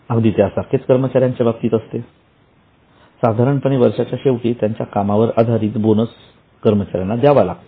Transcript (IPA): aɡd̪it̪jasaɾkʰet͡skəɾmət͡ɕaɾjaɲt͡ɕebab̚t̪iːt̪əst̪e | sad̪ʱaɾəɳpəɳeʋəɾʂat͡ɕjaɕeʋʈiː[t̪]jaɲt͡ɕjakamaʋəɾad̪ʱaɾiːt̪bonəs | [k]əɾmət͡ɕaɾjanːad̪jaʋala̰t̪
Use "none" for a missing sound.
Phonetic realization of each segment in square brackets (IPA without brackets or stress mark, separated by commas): t̪, k